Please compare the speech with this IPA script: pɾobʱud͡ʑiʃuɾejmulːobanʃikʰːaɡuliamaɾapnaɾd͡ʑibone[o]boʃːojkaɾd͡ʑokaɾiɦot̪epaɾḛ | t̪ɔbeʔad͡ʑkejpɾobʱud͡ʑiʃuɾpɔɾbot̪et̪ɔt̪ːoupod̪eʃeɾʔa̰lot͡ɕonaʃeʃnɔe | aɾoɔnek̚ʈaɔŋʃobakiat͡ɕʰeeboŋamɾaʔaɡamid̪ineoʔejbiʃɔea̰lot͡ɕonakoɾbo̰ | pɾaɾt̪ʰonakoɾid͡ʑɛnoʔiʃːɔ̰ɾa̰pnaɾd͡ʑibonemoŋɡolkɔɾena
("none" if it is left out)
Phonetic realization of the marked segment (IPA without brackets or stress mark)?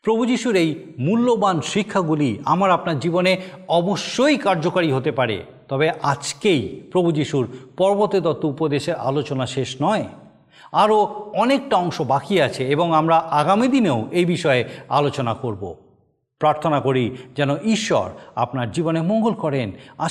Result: ɔ